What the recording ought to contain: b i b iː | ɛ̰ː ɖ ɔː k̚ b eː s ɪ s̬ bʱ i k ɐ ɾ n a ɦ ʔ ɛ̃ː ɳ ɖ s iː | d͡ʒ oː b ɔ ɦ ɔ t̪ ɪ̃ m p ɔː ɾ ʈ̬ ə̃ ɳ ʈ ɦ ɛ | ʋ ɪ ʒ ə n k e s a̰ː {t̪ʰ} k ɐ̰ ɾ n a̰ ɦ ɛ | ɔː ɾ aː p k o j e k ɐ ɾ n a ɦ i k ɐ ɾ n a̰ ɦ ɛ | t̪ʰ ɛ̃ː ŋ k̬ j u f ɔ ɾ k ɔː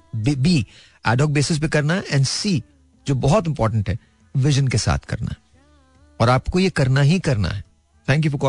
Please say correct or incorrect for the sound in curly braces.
correct